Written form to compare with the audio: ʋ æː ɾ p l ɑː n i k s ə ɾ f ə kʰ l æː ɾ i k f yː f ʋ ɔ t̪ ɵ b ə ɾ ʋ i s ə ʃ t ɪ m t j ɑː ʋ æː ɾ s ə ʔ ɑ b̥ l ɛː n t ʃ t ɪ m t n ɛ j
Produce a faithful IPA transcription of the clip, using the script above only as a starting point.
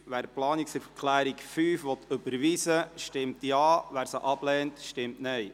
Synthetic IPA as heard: ʋ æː ɾ p l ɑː n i k s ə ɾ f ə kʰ l æː ɾ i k f yː f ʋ ɔ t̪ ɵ b ə ɾ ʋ i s ə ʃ t ɪ m t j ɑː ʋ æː ɾ s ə ʔ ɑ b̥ l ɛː n t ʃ t ɪ m t n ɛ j